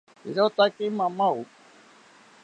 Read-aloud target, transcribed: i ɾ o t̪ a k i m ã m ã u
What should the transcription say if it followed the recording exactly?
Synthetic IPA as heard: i ɾ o t̪ a k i m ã m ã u